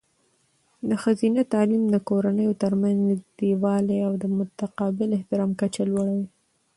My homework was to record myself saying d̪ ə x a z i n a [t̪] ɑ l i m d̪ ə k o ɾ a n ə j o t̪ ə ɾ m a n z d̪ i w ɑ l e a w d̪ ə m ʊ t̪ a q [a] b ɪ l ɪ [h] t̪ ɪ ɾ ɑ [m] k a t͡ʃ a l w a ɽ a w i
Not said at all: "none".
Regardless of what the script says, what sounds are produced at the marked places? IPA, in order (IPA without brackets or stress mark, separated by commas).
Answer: t̪, ɑ, h, m